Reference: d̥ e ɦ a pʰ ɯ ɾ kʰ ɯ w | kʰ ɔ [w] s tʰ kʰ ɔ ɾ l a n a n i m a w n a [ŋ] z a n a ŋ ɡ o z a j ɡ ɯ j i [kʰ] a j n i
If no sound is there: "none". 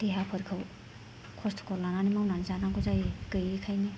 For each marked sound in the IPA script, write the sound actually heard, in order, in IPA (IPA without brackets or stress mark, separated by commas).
none, n, kʰ